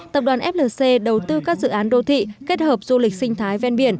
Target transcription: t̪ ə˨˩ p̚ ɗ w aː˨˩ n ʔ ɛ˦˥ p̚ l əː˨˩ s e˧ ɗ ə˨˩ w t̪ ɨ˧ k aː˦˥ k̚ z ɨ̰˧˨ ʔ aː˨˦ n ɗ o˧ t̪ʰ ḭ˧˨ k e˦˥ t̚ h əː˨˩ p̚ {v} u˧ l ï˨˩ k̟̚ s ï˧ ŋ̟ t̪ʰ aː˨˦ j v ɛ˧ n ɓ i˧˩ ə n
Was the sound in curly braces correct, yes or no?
no